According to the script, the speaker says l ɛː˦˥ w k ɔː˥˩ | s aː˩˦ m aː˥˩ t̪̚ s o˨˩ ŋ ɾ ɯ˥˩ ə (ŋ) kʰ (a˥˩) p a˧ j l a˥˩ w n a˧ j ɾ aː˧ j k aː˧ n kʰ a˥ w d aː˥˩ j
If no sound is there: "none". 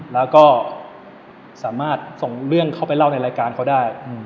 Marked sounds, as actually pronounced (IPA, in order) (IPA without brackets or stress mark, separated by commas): ŋ, a˥˩